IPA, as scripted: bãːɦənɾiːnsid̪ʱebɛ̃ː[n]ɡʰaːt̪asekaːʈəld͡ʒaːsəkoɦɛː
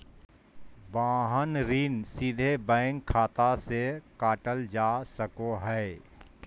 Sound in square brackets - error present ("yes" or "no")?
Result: yes